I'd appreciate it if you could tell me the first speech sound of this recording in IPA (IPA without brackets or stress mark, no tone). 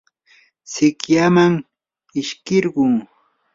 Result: s